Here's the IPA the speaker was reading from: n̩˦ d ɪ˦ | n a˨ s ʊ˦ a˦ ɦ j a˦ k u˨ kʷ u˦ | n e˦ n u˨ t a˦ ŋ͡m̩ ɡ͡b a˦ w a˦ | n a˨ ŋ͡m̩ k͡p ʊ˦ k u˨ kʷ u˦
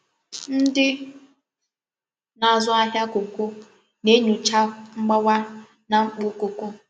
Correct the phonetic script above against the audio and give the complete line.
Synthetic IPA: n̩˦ d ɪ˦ | n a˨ z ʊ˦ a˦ ɦ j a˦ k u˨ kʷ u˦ | n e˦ ɲ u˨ t͡ʃ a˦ ŋ͡m̩ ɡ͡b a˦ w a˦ | n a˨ ŋ͡m̩ k͡p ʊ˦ k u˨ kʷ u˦

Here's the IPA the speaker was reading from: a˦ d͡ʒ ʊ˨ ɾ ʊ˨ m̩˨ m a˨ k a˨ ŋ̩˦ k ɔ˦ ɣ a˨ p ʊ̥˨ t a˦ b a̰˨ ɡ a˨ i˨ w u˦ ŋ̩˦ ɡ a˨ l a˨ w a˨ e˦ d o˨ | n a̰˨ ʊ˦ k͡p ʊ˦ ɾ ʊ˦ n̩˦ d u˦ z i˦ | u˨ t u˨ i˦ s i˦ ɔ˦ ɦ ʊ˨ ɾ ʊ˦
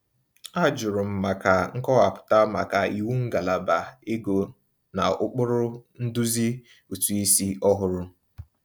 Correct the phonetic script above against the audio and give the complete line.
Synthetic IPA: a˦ d͡ʒ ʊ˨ ɾ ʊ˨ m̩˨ m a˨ k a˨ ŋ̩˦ k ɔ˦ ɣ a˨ p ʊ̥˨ t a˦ m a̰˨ k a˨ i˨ w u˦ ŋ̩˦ ɡ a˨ l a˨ b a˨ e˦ ɡ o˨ | n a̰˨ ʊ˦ k͡p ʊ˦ ɾ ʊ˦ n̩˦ d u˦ z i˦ | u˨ t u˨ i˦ s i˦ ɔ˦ ɦ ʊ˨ ɾ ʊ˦

